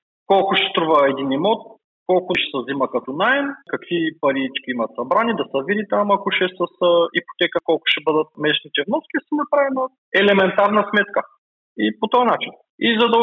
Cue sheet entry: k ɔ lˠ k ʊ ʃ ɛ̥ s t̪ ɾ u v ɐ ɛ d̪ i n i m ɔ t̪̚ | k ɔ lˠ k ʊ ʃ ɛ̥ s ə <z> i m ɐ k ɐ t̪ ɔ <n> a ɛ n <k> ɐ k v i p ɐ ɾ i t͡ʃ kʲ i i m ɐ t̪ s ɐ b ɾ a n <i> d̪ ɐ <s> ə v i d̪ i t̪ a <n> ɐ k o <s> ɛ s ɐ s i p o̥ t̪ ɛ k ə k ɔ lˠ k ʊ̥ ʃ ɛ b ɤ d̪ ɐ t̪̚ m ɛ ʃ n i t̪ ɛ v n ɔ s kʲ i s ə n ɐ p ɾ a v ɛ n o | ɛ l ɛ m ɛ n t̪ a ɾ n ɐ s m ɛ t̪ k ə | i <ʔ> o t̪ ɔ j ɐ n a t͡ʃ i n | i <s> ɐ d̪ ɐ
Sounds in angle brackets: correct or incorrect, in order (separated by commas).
correct, correct, correct, correct, correct, incorrect, incorrect, incorrect, incorrect